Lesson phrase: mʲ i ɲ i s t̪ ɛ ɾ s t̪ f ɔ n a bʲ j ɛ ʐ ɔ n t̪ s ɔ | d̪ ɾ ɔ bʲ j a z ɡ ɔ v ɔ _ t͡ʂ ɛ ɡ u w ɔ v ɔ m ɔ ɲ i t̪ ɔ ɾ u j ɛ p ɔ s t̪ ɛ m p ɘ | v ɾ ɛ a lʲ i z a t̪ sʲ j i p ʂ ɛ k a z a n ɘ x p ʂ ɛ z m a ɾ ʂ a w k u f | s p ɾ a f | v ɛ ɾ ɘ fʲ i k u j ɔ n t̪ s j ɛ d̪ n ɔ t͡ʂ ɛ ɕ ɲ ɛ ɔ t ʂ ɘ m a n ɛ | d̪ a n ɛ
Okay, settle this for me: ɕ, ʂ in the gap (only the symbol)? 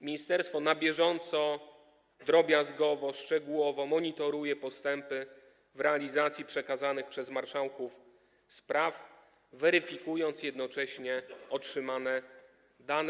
ʂ